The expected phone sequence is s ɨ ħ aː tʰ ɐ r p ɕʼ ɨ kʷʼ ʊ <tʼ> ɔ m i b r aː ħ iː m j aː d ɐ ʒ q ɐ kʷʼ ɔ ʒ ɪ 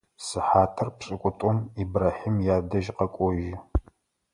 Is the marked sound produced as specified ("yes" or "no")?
yes